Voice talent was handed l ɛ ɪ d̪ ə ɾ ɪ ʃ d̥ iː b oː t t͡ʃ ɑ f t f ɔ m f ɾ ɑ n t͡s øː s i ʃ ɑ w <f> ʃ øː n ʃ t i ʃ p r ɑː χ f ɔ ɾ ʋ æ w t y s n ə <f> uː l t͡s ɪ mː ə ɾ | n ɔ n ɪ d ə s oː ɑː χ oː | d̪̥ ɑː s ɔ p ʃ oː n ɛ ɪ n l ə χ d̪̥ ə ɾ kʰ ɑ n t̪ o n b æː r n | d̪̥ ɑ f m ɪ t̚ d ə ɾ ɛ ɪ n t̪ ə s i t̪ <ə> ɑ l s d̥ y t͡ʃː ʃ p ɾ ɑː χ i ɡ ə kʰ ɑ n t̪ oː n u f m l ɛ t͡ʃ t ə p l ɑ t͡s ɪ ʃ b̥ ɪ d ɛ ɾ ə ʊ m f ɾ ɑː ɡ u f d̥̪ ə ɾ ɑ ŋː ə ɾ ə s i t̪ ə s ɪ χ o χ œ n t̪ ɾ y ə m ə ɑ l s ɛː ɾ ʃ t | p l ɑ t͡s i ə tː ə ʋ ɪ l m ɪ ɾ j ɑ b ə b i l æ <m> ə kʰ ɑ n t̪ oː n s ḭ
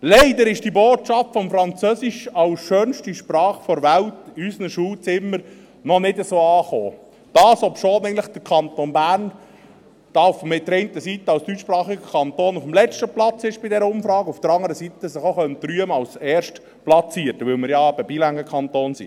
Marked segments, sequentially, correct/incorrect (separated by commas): incorrect, incorrect, correct, incorrect